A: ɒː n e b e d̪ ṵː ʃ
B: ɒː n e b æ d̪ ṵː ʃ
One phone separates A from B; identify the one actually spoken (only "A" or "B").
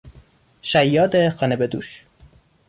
A